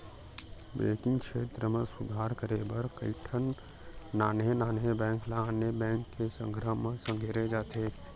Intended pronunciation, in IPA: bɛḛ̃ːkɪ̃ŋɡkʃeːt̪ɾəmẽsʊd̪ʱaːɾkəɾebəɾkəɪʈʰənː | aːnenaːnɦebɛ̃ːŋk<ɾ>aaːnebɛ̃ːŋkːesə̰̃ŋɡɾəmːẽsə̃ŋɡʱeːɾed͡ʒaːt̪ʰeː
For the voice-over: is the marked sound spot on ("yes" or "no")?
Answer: no